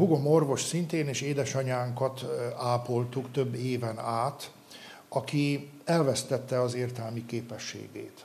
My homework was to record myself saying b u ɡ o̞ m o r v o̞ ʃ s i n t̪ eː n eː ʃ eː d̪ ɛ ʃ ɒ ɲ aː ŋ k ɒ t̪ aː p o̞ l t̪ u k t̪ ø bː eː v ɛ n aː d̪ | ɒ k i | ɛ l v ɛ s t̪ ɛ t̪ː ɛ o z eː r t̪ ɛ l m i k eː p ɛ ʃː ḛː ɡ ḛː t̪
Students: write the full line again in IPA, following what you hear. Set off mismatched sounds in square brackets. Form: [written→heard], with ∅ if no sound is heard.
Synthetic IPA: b u ɡ o̞ m o r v o̞ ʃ s i n t̪ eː n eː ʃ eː d̪ ɛ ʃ ɒ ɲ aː ŋ k ɒ t̪ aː p o̞ l t̪ u k t̪ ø bː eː v ɛ n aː [d̪→t̪] | ɒ k i | ɛ l v ɛ s t̪ ɛ t̪ː ɛ [o→ɒ] z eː r t̪ ɛ l m i k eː p ɛ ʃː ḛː ɡ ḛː t̪